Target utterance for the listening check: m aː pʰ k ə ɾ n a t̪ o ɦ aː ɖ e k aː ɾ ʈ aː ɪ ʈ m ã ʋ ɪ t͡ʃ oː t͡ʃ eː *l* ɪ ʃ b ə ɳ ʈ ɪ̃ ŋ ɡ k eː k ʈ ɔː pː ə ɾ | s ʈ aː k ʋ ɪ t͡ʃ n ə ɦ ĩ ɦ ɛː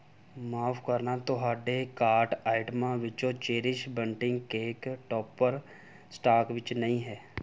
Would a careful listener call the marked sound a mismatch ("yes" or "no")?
yes